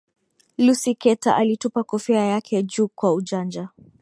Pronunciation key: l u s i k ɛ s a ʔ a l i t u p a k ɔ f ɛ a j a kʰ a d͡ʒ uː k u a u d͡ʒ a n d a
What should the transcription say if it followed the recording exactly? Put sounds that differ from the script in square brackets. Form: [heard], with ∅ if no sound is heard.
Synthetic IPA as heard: l u s i k ɛ [t] a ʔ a l i t u p a k ɔ f ɛ a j a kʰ [ɛ] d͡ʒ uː k [w] a u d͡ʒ a n [d͡ʒ] a

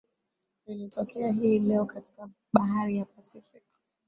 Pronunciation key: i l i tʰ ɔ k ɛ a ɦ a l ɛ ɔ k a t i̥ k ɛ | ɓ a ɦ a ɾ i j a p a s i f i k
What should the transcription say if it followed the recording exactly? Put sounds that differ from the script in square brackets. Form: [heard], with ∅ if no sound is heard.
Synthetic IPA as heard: i l i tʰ ɔ k ɛ a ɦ [i] l ɛ ɔ k a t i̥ k [a] | ɓ a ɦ a ɾ i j a p a s i f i k

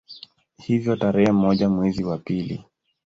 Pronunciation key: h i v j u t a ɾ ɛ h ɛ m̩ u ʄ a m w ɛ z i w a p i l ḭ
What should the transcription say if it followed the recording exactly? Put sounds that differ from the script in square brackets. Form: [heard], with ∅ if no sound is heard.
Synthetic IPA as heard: h i v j [ɔ] t a ɾ ɛ h ɛ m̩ [ɔ] ʄ a m w ɛ z i w a p i l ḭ

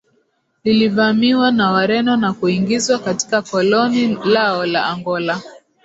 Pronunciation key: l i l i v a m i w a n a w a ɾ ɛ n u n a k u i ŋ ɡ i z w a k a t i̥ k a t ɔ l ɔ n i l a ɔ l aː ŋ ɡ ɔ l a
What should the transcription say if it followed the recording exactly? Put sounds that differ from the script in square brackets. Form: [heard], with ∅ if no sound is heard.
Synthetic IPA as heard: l i l i v a m i w a n a w a ɾ ɛ n [ɔ] n a k u i ŋ ɡ i z w a k a t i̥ k a [k] ɔ l ɔ n i l a ɔ l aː ŋ ɡ ɔ l a

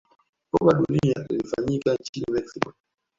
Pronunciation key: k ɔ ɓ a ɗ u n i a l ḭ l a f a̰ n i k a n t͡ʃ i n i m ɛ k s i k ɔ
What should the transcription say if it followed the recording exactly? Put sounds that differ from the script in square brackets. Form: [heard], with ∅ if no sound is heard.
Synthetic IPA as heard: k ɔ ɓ a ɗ u n i a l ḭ l [i] f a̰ [ɲ] i k a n t͡ʃ i n i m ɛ k s i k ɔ

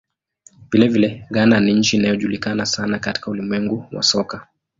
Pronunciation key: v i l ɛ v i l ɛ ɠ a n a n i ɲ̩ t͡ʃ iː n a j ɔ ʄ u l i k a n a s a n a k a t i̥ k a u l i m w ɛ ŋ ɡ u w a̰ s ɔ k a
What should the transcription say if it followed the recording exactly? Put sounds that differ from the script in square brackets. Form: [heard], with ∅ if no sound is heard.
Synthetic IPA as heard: v i l ɛ v i l ɛ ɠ a n a n i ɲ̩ t͡ʃ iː n a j ɔ ʄ u l i k a n a s a n a k a t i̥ k a u l i m w ɛ ŋ ɡ u w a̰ s ɔ k a

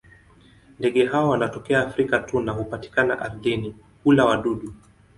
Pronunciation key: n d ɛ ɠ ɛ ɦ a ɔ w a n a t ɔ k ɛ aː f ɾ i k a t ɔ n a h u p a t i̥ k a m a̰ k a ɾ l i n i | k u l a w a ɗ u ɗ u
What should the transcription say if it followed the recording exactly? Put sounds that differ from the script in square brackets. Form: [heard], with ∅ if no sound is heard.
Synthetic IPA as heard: n d ɛ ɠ ɛ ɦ a ɔ w a n a t ɔ k ɛ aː f ɾ i k a t [u] n a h u p a t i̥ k a [n] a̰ [ʔ] a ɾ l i n i | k u l a w a ɗ u ɗ u

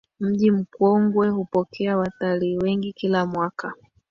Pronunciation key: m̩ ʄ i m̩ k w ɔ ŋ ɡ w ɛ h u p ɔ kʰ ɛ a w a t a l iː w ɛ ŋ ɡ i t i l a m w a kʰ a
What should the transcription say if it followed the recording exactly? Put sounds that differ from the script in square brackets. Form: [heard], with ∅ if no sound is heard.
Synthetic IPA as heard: m̩ ʄ i m̩ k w ɔ ŋ ɡ w ɛ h u p ɔ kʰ ɛ a w a t a l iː w ɛ ŋ ɡ i [k] i l a m w a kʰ a

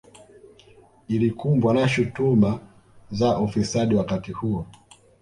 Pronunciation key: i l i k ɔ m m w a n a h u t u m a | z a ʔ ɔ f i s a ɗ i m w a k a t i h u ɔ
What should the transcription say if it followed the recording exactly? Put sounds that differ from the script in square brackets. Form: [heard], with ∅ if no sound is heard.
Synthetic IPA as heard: i l i k [u] m [b] w a n a [ʃ] u t u m a | z a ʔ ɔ f i s a ɗ i [∅] w a k a t i h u ɔ

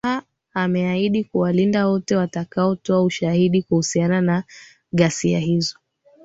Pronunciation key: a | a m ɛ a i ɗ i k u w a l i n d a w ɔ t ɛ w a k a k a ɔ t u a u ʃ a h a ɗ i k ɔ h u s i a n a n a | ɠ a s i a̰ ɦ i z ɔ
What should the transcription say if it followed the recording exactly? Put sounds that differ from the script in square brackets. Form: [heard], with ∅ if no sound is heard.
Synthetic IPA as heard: a | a m ɛ a i ɗ i k u w a l i n d a w ɔ t ɛ w a [t] a k a ɔ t [ɔ] a u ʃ a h [i] ɗ i k [u] h u s i a n a n a | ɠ a s i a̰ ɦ i z ɔ

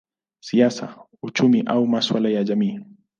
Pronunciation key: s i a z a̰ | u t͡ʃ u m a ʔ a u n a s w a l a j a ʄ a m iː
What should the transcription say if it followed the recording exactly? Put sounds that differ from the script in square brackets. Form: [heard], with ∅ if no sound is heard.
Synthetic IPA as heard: s i a [s] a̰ | u t͡ʃ u m [i] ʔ a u [m] a s w a l a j a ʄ a m iː

